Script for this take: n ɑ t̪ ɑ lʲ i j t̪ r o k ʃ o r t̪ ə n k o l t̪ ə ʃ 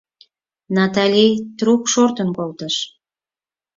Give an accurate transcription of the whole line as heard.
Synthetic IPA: n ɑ t̪ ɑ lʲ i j t̪ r u k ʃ o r t̪ ə n k o l t̪ ə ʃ

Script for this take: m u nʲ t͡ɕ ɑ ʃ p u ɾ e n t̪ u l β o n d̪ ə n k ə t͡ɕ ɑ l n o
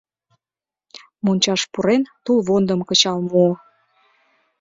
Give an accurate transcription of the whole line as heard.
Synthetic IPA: m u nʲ t͡ɕ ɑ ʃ p u ɾ e n t̪ u l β o n d̪ ə m k ə t͡ɕ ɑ l m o

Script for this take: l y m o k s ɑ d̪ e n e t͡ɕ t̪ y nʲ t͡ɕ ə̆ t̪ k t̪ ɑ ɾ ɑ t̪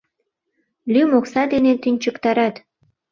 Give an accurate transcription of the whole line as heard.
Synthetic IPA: l y m o k s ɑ d̪ e n e t̪ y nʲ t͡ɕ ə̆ k t̪ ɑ ɾ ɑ t̪

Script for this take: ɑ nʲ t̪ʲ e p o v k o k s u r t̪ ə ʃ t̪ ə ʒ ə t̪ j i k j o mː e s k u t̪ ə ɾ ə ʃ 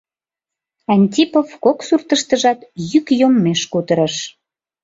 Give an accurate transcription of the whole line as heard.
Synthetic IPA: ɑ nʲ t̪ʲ i p o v k o k s u r t̪ ə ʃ t̪ ə ʒ ɑ t̪ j y k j o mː e ʃ k u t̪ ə ɾ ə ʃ

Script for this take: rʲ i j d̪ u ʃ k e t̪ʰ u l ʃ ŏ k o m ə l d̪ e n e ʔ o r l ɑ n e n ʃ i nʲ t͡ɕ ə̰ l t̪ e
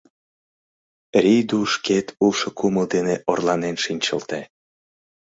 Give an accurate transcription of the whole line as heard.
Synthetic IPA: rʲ i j d̪ u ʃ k e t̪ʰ u l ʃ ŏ k u m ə l d̪ e n e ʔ o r l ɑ n e n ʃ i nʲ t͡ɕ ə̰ l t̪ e

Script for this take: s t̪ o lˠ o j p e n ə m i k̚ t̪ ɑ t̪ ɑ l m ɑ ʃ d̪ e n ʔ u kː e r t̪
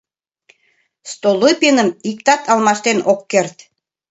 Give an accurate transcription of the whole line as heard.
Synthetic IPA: s t̪ o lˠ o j p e n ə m i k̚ t̪ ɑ t̪ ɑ l m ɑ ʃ t̪ e n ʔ o kː e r t̪

